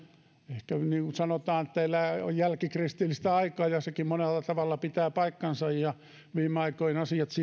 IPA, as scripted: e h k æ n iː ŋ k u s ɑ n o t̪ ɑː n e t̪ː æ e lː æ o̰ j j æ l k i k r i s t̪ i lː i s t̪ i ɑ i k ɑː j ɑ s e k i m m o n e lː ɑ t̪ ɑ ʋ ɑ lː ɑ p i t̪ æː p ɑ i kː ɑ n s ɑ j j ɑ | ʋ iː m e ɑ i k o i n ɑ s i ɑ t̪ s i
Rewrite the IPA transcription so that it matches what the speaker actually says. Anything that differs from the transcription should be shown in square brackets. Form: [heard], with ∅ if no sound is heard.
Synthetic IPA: e h k æ n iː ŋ k u s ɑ n o t̪ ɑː n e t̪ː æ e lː æ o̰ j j æ l k i k r i s t̪ i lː i s t̪ [æ] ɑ i k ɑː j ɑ s e k i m m o n e lː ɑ t̪ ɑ ʋ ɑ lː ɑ p i t̪ æː p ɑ i kː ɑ n s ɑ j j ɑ | ʋ iː m e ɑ i k o i n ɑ s i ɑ t̪ s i